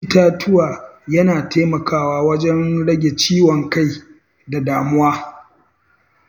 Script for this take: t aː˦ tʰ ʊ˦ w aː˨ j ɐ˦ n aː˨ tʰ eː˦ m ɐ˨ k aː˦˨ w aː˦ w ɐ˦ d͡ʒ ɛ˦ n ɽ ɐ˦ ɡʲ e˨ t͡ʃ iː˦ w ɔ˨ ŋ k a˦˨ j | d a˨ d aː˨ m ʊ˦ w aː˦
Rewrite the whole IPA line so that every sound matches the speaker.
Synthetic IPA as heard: t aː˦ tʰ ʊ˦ w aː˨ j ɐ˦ n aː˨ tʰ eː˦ m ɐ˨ k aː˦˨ w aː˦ w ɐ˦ d͡ʒ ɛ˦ n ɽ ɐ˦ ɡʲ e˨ t͡ʃ iː˦ w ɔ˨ ŋ k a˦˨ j | d a˨ d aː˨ m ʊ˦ w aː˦